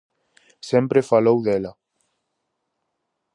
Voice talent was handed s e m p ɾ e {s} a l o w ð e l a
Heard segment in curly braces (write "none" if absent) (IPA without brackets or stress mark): f